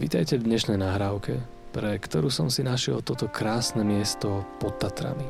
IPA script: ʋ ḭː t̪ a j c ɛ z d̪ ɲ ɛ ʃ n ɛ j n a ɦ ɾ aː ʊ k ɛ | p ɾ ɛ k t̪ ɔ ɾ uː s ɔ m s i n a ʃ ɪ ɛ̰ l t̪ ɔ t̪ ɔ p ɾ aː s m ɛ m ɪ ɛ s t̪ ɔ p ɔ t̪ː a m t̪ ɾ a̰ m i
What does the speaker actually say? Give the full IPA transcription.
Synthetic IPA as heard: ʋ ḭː t̪ a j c ɛ v d̪ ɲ ɛ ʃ n ɛ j n a ɦ ɾ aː ʊ k ɛ | p ɾ ɛ k t̪ ɔ ɾ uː s ɔ m s i n a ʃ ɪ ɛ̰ l t̪ ɔ t̪ ɔ k ɾ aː s n ɛ m ɪ ɛ s t̪ ɔ p ɔ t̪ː a t̪ ɾ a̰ m i